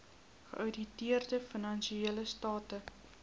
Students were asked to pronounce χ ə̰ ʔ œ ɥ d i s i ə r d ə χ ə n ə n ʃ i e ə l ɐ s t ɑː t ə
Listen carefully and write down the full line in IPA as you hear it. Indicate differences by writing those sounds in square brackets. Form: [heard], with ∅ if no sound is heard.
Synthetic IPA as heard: χ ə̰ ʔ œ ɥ d i [t] i ə r d ə [f] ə n [ɐ] n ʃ i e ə l [ə] s t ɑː t ə